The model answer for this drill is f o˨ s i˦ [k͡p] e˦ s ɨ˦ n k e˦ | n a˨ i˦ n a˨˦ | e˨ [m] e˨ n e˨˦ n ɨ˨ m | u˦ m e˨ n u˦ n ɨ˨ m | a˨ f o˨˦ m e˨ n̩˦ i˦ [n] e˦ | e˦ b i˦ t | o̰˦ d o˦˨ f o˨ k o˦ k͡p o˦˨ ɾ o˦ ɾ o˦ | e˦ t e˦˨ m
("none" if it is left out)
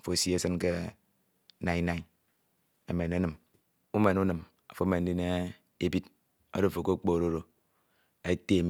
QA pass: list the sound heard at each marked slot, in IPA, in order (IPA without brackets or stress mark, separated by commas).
none, m, n